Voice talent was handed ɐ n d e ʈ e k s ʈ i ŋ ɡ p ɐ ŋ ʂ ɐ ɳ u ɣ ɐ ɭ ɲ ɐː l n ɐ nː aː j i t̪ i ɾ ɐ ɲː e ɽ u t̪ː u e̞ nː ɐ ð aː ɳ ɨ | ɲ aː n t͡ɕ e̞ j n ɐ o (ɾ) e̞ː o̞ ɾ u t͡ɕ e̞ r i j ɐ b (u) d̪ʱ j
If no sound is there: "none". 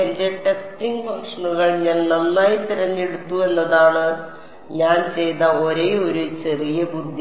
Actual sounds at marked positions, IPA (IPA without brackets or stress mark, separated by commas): ɾ, u